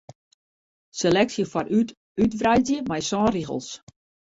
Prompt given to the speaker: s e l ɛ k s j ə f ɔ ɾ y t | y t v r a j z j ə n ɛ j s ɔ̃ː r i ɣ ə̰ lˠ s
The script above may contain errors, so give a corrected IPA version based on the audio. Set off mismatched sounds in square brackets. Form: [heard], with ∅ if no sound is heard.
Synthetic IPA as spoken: s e l ɛ k s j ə f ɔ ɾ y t | y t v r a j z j ə [m] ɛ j s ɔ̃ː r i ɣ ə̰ lˠ s